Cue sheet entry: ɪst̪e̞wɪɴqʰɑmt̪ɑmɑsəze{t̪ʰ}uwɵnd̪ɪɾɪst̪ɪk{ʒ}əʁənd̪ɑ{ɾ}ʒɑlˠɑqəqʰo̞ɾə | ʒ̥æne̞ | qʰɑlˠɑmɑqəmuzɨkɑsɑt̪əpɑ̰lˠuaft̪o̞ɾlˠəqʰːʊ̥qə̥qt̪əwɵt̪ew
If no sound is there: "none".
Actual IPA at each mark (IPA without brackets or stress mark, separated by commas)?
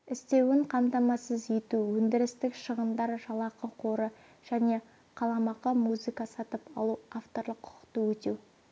t̪, ʃ, ɾ